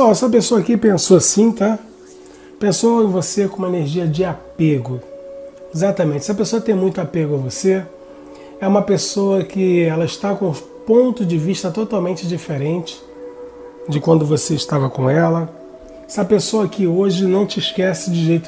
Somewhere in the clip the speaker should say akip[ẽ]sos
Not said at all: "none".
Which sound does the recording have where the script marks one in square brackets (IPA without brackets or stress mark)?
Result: ẽ